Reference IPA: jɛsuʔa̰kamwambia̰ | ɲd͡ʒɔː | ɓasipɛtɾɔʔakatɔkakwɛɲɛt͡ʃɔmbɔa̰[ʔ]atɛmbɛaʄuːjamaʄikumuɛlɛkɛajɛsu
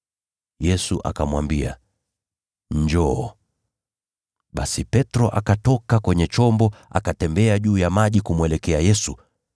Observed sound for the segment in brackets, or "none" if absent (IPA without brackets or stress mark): k